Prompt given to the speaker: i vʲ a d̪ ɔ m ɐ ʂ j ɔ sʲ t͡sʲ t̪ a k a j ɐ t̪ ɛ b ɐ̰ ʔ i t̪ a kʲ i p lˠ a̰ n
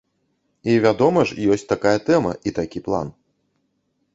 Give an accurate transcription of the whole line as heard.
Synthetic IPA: i vʲ a d̪ ɔ m ɐ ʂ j ɔ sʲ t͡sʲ t̪ a k a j ɐ t̪ ɛ m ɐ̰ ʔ i t̪ a kʲ i p lˠ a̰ n